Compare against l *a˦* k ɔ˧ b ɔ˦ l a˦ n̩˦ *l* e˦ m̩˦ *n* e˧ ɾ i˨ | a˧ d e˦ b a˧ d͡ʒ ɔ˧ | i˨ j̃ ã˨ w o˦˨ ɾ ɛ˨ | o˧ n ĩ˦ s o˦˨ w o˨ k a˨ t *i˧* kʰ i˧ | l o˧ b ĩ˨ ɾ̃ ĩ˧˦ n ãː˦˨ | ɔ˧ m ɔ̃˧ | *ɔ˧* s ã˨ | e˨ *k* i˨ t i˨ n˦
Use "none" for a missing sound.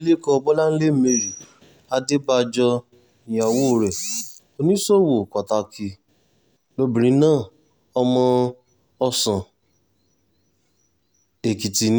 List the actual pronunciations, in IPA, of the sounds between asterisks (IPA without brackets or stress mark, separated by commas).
e˦, l, m, a˧, ɔ˧, k